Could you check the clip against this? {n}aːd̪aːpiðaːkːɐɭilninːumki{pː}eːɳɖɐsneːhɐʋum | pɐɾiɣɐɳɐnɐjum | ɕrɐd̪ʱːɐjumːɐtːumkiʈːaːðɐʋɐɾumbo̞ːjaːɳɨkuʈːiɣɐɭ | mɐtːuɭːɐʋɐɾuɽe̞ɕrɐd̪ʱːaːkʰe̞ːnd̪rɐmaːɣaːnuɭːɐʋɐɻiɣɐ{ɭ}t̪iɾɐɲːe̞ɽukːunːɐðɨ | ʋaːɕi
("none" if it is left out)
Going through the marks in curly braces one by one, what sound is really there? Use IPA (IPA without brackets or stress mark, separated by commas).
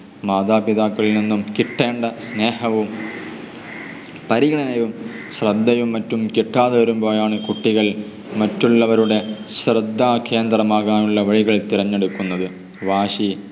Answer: m, ʈː, ɭ